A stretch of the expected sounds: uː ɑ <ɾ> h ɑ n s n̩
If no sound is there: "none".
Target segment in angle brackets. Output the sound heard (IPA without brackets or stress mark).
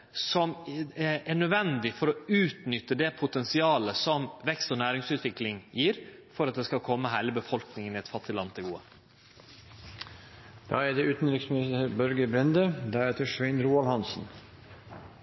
l